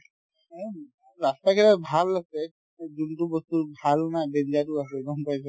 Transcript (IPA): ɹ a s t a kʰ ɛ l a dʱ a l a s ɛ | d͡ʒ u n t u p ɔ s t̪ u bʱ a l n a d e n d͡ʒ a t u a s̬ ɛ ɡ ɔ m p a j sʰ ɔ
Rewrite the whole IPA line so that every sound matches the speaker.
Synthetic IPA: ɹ a s t a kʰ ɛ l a bʱ a l a s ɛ | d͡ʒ u n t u b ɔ s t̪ u bʱ a l n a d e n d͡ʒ a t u a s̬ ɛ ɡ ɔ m p a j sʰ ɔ